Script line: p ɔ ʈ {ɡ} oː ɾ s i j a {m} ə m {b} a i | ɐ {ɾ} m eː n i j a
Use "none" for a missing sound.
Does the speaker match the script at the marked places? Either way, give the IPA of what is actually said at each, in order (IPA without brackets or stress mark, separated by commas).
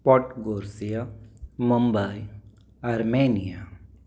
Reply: ɡ, m, b, ɾ